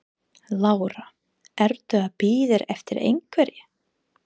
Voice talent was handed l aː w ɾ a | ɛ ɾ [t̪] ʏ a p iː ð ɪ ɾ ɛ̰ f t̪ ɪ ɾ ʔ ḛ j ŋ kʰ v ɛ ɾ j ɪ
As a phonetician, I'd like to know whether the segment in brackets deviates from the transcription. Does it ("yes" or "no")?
no